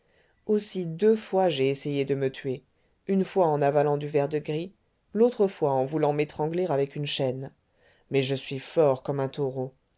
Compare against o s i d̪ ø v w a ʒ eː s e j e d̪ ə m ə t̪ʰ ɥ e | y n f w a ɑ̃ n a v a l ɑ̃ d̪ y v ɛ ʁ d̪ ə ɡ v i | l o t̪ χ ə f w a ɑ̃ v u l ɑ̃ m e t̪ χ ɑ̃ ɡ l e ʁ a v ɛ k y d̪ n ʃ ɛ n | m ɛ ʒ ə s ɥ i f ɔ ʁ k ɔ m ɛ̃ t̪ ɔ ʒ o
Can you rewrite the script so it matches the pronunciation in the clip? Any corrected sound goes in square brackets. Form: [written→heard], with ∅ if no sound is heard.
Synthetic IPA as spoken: o s i d̪ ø [v→f] w a ʒ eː s e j e d̪ ə m ə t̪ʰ ɥ e | y n f w a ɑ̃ n a v a l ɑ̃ d̪ y v ɛ ʁ d̪ ə ɡ [v→ʁ] i | l o t̪ χ ə f w a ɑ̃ v u l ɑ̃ m e t̪ χ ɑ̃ ɡ l e ʁ a v ɛ k y [d̪→∅] n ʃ ɛ n | m ɛ ʒ ə s ɥ i f ɔ ʁ k ɔ m ɛ̃ t̪ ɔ [ʒ→ʁ] o